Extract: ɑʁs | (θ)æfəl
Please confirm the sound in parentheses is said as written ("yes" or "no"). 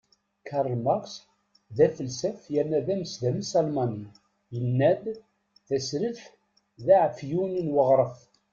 no